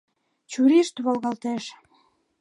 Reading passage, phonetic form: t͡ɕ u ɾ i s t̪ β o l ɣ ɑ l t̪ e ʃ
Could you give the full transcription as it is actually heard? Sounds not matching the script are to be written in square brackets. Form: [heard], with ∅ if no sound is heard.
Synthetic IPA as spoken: t͡ɕ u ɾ i [ʃ] t̪ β o l ɣ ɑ l t̪ e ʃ